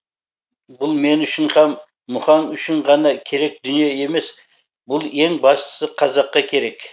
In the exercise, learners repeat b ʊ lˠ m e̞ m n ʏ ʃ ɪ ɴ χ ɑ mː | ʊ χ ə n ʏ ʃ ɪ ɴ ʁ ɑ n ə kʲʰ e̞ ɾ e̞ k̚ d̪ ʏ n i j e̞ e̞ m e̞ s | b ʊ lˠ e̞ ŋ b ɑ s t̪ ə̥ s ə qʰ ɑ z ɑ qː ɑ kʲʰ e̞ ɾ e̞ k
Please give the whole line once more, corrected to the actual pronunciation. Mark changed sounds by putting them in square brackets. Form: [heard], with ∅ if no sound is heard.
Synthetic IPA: b ʊ lˠ m e̞ [∅] n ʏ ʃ ɪ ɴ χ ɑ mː | ʊ χ [ɑ] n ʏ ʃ ɪ ɴ ʁ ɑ n [ɑ] kʲʰ e̞ ɾ e̞ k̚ d̪ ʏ n i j e̞ e̞ m e̞ s | b ʊ lˠ e̞ ŋ b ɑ s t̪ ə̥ s ə qʰ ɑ z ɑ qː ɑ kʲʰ e̞ ɾ e̞ k